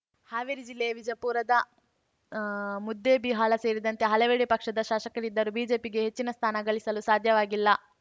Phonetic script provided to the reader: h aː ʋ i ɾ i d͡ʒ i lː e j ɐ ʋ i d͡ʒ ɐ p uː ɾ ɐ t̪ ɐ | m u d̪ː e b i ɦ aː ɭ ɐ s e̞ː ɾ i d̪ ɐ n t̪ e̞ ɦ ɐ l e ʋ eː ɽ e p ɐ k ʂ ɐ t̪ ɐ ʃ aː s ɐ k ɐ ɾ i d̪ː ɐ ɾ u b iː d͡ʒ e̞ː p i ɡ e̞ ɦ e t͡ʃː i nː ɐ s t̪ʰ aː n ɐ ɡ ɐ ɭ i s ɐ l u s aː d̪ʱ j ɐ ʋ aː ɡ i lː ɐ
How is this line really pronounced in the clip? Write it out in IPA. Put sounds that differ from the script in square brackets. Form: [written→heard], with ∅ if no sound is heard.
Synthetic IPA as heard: h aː ʋ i ɾ i d͡ʒ i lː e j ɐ ʋ i d͡ʒ ɐ p uː ɾ ɐ [t̪→d̪] ɐ | m u d̪ː e b i ɦ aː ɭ ɐ s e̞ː ɾ i d̪ ɐ n t̪ e̞ ɦ ɐ l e ʋ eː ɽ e p ɐ k ʂ ɐ [t̪→d̪] ɐ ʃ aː [s→ʃ] ɐ k ɐ ɾ i d̪ː ɐ ɾ u b iː d͡ʒ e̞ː p i ɡ e̞ ɦ e t͡ʃː i [nː→n] ɐ s t̪ʰ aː n ɐ ɡ ɐ ɭ i s ɐ l u s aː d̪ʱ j ɐ ʋ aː ɡ i lː ɐ